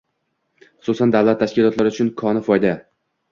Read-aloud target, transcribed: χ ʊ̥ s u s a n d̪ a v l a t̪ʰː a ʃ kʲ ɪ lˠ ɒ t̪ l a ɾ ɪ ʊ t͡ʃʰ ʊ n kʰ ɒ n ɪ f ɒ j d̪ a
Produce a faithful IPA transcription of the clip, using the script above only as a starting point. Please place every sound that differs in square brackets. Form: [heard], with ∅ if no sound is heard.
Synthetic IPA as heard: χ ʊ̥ s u s a n d̪ a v l a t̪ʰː a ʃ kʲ ɪ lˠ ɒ t̪ l a ɾ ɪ ʊ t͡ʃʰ ʊ n kʰ ɒ n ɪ f ɒ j d̪ a